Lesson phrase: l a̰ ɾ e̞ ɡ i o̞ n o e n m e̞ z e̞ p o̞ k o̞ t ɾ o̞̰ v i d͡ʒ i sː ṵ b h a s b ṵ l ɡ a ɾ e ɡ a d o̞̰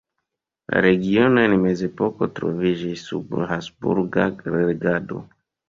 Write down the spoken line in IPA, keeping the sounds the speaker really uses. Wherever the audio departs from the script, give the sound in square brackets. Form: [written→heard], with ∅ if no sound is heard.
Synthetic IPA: l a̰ ɾ e̞ ɡ i o̞ n o e n m e̞ z e̞ p o̞ k o̞ t ɾ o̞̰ v i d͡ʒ i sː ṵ b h a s b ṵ [l→ɾ] ɡ a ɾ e ɡ a d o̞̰